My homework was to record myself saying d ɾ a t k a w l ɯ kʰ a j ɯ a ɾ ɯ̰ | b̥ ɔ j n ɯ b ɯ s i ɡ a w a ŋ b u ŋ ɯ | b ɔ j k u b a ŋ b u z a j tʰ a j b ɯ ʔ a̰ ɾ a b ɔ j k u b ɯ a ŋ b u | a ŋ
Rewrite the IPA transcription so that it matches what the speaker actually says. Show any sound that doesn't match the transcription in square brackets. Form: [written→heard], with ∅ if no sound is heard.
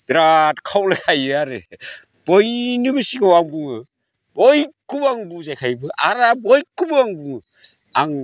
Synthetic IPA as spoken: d ɾ a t [k→kʰ] a w l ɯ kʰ a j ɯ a ɾ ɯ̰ | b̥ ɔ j n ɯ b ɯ s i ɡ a w a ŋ b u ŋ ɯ | b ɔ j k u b a ŋ b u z a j [tʰ→kʰ] a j b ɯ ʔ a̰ ɾ a b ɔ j k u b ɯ a ŋ b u | a ŋ

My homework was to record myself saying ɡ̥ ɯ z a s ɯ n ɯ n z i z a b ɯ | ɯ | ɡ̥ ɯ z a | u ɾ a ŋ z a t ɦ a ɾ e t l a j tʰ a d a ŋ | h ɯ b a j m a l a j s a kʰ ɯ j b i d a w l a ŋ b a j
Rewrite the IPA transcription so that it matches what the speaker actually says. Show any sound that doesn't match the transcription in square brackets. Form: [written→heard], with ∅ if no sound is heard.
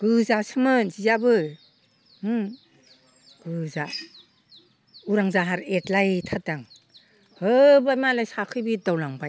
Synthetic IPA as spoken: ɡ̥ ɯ z a s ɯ [n→m] ɯ n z i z a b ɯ | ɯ | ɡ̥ ɯ z a | u ɾ a ŋ z a [t→∅] ɦ a ɾ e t l a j tʰ a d a ŋ | h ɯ b a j m a l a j s a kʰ ɯ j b i d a w l a ŋ b a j

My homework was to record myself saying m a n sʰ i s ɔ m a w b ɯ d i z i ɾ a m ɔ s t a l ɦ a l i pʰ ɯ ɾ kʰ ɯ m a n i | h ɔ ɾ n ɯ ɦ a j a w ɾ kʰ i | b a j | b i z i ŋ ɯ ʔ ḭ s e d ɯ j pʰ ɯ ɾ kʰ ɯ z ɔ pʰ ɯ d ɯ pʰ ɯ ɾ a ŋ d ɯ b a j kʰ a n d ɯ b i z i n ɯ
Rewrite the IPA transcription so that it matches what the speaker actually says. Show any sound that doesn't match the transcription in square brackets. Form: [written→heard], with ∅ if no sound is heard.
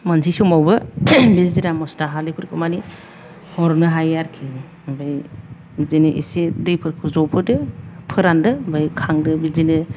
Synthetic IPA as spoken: m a n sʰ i s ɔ m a w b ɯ [d→b] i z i ɾ a m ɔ s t a [l→∅] ɦ a l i pʰ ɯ ɾ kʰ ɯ m a n i | h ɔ ɾ n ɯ ɦ a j a [w→∅] ɾ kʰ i | b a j | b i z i [ŋ→n] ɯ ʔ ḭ s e d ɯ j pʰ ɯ ɾ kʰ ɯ z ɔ pʰ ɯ d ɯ pʰ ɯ ɾ a [ŋ→n] d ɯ b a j kʰ a [n→ŋ] d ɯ b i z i n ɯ

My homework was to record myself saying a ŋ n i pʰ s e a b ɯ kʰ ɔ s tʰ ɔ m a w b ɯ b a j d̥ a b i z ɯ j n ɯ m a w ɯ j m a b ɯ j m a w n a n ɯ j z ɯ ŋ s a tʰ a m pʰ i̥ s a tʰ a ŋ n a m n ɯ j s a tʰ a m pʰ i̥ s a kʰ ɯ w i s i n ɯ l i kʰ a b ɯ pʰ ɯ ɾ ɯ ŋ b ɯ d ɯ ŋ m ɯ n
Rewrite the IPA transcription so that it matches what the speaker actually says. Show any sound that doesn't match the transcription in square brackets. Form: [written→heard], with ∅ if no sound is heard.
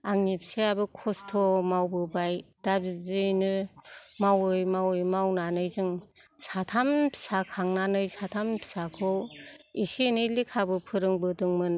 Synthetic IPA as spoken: a ŋ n i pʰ s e a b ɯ kʰ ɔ s tʰ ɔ m a w b ɯ b a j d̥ a b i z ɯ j n ɯ m a w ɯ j m a [b→w] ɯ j m a w n a n ɯ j z ɯ ŋ s a tʰ a m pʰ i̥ s a [tʰ→kʰ] a ŋ n a [m→∅] n ɯ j s a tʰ a m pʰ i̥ s a kʰ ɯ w i s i n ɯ l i kʰ a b ɯ pʰ ɯ ɾ ɯ ŋ b ɯ d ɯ ŋ m ɯ n

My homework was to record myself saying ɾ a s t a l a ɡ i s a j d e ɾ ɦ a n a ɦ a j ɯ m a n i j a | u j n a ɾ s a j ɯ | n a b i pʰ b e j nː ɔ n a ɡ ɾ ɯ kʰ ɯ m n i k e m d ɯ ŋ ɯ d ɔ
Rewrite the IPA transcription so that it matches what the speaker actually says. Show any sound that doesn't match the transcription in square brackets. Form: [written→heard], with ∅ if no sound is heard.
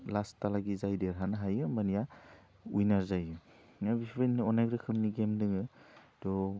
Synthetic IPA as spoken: [ɾ→l] a s t a l a ɡ i [s→z] a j d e ɾ ɦ a n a ɦ a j ɯ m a n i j a | u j n a ɾ [s→z] a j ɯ | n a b i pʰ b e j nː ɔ n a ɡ ɾ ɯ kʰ ɯ m n i [k→ɡ] e m d ɯ ŋ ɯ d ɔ

